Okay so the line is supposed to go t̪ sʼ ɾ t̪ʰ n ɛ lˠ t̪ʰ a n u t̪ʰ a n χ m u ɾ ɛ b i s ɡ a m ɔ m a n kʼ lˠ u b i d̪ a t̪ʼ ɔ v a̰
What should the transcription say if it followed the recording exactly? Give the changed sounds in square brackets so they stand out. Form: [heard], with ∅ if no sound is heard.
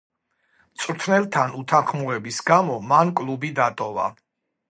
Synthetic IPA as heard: t̪ sʼ ɾ t̪ʰ n ɛ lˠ t̪ʰ a n u t̪ʰ a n χ m u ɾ ɛ b i s ɡ a m ɔ m a n kʼ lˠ u b i d̪ a t̪ʼ ɔ v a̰